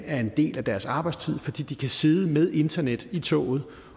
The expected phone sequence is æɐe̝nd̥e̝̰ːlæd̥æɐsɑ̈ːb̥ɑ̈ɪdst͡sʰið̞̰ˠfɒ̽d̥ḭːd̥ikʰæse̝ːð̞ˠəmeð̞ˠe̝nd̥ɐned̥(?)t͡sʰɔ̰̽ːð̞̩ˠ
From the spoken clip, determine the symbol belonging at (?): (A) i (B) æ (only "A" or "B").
A